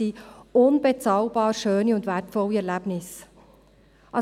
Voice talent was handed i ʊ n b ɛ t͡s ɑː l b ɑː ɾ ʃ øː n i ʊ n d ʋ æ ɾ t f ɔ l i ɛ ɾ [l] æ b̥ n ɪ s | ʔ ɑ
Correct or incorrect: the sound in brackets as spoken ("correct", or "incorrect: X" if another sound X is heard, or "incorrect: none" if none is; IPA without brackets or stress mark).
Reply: correct